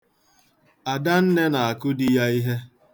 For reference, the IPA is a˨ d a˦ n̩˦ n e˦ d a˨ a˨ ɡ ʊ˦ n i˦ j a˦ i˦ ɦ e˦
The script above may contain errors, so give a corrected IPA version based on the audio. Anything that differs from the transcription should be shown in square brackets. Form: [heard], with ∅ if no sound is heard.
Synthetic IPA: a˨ d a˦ n̩˦ n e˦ [n] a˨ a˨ [k] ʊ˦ [d] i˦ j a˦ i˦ ɦ e˦

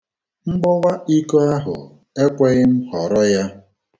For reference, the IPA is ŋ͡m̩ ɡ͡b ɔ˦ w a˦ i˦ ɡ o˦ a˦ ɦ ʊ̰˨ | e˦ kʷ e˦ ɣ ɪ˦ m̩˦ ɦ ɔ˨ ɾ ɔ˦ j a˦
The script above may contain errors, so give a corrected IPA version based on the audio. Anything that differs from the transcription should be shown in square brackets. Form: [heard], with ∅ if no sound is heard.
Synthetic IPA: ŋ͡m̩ ɡ͡b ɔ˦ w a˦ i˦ [k] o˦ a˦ ɦ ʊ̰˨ | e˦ kʷ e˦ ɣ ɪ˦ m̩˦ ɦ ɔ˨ ɾ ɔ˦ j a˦

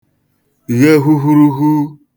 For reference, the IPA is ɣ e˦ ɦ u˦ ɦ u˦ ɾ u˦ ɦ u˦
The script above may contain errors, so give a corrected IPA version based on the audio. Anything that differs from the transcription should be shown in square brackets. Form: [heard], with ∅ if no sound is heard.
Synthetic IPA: ɣ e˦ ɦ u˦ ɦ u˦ ɾ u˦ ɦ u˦

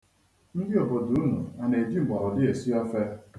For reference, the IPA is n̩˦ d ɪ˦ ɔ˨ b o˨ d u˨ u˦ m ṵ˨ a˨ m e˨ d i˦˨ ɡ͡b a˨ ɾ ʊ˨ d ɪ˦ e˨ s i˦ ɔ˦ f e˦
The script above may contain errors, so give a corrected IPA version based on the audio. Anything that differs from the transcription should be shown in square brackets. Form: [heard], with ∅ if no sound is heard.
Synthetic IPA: n̩˦ d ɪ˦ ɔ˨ b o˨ d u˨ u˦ [n] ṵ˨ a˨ [n] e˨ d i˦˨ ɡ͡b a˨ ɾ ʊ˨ d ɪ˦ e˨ s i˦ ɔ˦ f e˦

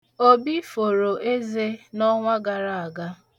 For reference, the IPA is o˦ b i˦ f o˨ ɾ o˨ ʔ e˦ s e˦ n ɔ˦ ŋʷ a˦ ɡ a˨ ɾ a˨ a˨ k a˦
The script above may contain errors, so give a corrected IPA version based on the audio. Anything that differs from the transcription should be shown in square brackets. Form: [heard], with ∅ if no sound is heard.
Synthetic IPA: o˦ b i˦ f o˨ ɾ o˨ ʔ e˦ [z] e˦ n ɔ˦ ŋʷ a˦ ɡ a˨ ɾ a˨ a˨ [ɡ] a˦

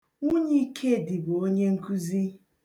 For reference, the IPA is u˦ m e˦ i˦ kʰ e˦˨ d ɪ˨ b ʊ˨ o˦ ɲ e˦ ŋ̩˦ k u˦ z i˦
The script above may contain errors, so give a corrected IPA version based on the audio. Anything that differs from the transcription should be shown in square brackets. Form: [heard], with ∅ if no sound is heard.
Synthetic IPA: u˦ [ɲ] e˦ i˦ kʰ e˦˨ d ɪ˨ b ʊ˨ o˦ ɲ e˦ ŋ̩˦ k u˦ z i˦

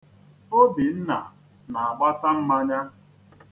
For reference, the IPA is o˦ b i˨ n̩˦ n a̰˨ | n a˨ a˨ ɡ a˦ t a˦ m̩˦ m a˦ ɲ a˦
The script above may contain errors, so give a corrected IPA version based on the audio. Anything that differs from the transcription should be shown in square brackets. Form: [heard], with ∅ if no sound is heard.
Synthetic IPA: o˦ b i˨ n̩˦ n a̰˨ | n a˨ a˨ [ɡ͡b] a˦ t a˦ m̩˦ m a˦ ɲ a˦

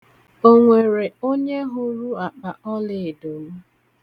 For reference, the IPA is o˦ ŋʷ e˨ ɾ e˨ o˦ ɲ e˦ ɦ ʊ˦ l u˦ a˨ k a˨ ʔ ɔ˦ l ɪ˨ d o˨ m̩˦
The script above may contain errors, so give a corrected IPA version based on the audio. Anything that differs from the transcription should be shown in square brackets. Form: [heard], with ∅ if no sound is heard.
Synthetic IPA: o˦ ŋʷ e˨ ɾ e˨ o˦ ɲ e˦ ɦ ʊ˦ [ɾ] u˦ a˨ [k͡p] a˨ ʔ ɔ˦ l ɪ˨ d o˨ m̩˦

